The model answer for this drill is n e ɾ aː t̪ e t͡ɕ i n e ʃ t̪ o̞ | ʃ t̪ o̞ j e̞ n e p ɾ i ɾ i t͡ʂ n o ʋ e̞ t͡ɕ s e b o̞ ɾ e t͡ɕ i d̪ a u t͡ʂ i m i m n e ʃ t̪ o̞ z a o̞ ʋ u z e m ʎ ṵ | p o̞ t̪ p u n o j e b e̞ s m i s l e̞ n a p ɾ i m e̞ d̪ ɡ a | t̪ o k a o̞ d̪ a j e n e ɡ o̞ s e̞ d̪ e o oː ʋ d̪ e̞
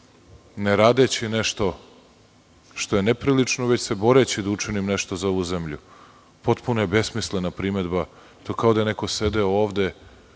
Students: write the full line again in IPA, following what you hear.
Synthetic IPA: n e ɾ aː d̪ e t͡ɕ i n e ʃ t̪ o̞ | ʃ t̪ o̞ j e̞ n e p ɾ i l i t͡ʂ n o ʋ e̞ t͡ɕ s e b o̞ ɾ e t͡ɕ i d̪ a u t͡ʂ i n i m n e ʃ t̪ o̞ z a o̞ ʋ u z e m ʎ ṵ | p o̞ t̪ p u n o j e b e̞ s m i s l e̞ n a p ɾ i m e̞ d̪ b a | t̪ o k a o̞ d̪ a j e n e k o̞ s e̞ d̪ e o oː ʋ d̪ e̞